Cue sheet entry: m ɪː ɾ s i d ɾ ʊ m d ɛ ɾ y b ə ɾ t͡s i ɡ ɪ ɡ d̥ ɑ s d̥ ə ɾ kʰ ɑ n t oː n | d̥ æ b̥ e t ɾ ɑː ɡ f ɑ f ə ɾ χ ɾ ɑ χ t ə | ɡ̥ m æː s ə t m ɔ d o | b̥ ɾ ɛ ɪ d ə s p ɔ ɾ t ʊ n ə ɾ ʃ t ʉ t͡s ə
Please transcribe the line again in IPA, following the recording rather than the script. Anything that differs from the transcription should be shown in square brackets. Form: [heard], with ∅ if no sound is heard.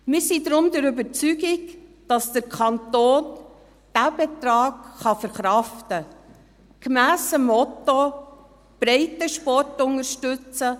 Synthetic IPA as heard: m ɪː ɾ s i d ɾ ʊ m d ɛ ɾ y b ə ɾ t͡s [y] ɡ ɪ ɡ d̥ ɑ s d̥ ə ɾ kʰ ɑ n t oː n | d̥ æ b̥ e t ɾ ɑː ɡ [χ] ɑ f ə ɾ χ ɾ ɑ [f] t ə | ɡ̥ m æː s ə [∅] m ɔ [t] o | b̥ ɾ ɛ ɪ [t] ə [ʃ] p ɔ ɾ t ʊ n ə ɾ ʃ t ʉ t͡s ə